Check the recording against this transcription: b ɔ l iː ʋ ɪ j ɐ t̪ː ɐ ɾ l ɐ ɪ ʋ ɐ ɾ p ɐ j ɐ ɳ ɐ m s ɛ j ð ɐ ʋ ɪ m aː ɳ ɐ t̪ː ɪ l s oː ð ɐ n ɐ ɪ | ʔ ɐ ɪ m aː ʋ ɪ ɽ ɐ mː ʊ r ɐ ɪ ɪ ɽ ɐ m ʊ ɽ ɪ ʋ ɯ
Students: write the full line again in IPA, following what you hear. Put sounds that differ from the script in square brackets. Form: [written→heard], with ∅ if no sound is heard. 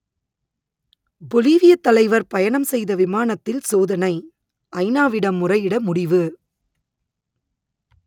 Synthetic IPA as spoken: b ɔ l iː ʋ ɪ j ɐ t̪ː ɐ [ɾ→∅] l ɐ ɪ ʋ ɐ ɾ p ɐ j ɐ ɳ ɐ m s ɛ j ð ɐ ʋ ɪ m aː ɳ ɐ t̪ː ɪ l s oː ð ɐ n ɐ ɪ | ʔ ɐ ɪ [m→n] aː ʋ ɪ ɽ ɐ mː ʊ r ɐ ɪ ɪ ɽ ɐ m ʊ ɽ ɪ ʋ ɯ